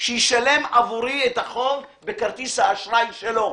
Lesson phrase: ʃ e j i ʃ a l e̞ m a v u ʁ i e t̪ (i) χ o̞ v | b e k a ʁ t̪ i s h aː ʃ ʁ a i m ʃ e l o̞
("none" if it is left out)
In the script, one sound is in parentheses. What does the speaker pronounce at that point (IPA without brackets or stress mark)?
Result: a